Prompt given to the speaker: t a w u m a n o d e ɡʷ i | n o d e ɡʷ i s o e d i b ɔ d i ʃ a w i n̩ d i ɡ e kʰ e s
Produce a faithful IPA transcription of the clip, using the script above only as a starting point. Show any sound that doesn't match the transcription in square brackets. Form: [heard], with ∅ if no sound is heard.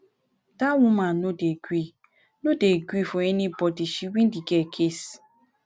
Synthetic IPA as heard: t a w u m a n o d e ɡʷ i | n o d e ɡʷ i [f] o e [n] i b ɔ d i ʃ [i] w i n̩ d i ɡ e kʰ e s